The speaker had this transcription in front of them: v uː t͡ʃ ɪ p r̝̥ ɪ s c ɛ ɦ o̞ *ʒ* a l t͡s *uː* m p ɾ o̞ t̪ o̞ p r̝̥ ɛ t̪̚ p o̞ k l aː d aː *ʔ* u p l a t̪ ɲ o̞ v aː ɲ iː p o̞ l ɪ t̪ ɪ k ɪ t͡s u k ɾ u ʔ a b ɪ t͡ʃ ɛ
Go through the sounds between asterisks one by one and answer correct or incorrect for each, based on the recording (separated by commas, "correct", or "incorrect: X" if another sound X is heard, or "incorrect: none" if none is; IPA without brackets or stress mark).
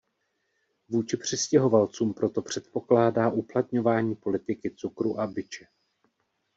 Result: incorrect: v, correct, correct